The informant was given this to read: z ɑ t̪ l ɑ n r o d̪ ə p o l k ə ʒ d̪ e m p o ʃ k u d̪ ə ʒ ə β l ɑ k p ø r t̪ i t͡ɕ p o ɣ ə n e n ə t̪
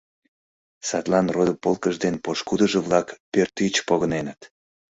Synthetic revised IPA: s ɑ t̪ l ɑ n r o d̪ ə p o l k ə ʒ d̪ e n p o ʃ k u d̪ ə ʒ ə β l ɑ k p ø r t̪ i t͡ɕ p o ɣ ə n e n ə t̪